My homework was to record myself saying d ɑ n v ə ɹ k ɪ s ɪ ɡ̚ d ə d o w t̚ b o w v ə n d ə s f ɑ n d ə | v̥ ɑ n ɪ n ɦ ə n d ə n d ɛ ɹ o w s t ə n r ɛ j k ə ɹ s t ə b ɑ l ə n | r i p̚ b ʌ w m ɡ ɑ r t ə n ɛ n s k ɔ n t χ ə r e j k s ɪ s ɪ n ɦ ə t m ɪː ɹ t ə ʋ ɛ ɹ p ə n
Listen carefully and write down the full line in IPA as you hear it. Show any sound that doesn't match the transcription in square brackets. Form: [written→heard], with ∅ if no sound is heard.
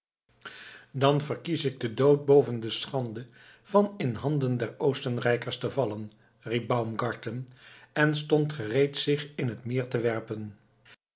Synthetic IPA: d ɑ n v ə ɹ k [ɪ→i] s ɪ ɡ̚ d ə d o w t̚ b o w v ə n d ə s [f→χ] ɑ n d ə | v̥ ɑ n ɪ n ɦ [ə→ɑ] n d ə n d ɛ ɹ o w s t ə n r ɛ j k ə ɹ s t ə [b→v] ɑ l ə n | r i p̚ b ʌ w m ɡ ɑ [r→ɹ] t ə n ɛ n s [k→t] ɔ n t χ ə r e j [k→t] s ɪ [s→χ] ɪ n ɦ ə t m ɪː ɹ t ə ʋ ɛ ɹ p ə n